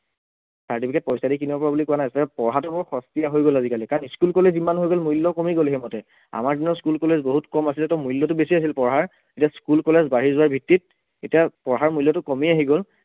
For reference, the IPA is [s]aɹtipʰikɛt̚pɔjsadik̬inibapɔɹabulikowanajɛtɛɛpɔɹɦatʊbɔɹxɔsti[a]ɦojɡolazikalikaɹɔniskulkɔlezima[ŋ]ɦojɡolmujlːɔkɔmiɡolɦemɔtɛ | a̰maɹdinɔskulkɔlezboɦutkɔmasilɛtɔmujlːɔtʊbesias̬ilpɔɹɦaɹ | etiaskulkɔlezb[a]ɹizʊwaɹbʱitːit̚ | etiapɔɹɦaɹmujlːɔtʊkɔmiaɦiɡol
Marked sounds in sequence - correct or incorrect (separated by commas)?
correct, correct, incorrect, correct